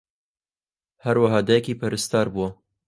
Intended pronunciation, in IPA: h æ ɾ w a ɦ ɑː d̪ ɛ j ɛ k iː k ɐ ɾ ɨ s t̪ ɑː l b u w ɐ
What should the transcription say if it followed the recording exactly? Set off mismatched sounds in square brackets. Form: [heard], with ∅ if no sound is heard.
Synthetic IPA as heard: h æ ɾ w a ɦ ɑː d̪ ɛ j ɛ k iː [p] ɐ ɾ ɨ s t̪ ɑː [ɾ] b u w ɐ